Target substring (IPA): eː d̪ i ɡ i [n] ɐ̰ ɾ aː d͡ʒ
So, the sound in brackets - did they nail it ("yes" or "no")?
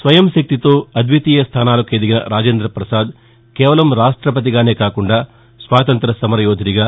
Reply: yes